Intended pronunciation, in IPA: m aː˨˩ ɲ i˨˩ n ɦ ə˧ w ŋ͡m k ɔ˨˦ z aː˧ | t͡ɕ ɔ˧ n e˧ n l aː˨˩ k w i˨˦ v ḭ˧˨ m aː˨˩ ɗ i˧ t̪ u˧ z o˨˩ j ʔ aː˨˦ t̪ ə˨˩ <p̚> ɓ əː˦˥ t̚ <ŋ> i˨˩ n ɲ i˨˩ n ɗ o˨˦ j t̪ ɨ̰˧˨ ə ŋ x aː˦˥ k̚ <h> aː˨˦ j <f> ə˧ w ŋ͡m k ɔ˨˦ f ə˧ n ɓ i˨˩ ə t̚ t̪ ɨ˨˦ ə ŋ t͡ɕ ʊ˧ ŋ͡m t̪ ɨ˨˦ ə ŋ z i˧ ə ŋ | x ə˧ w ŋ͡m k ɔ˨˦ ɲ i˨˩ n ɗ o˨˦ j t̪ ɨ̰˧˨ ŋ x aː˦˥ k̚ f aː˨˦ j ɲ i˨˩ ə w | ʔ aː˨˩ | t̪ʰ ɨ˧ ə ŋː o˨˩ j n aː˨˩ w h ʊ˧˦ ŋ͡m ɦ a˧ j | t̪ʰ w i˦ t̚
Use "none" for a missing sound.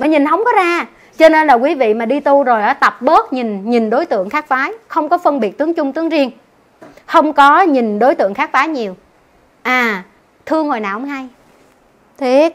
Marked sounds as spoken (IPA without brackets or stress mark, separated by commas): p̚, ɲ, f, x